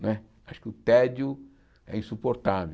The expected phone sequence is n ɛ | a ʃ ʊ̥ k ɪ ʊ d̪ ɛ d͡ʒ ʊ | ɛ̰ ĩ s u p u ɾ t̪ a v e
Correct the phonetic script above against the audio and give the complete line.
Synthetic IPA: n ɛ | a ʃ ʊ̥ k ɪ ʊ t̪ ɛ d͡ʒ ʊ | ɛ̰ ĩ s u p o ɾ t̪ a v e